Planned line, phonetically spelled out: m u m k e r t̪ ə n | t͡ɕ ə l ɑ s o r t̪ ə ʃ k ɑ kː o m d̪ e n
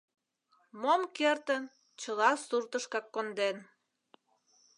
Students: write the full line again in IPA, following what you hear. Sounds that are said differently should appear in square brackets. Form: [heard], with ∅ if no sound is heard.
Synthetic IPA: m [o] m k e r t̪ ə n | t͡ɕ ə l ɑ s [u] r t̪ ə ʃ k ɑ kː o [n] d̪ e n